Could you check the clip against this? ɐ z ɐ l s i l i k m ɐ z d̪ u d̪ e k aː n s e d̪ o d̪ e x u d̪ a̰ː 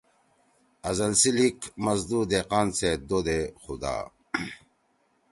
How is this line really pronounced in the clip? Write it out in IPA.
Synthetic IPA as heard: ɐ z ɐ l s i l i k m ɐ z d̪ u d̪ e q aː n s e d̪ o d̪ e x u d̪ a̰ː